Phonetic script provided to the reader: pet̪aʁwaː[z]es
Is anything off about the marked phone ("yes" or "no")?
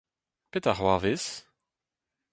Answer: yes